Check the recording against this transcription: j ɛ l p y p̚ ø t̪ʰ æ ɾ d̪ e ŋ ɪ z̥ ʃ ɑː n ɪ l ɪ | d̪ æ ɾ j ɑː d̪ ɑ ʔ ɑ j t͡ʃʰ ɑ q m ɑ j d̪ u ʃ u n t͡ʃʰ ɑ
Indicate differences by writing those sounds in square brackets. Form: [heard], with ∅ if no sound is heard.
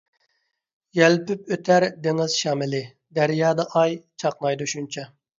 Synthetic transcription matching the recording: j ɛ l p y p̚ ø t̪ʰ æ ɾ d̪ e ŋ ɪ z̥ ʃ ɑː [m] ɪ l ɪ | d̪ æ ɾ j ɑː d̪ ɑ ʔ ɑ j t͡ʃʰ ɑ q [n] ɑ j d̪ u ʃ u n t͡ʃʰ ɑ